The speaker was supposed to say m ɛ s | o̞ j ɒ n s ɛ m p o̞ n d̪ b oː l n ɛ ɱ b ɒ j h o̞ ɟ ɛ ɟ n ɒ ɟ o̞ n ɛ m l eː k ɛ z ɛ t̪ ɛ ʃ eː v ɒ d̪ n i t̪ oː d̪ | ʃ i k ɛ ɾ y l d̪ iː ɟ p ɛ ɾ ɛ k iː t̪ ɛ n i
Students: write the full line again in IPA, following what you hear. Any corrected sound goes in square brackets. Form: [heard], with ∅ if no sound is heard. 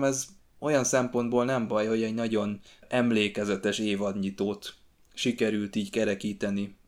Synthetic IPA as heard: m ɛ [z] | o̞ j ɒ n s ɛ m p o̞ n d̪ b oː l n ɛ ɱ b ɒ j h o̞ ɟ ɛ ɟ n ɒ ɟ o̞ n ɛ m l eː k ɛ z ɛ t̪ ɛ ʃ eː v ɒ d̪ [ɲ] i t̪ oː [t̪] | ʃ i k ɛ ɾ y l [t̪] iː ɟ [k] ɛ ɾ ɛ k iː t̪ ɛ n i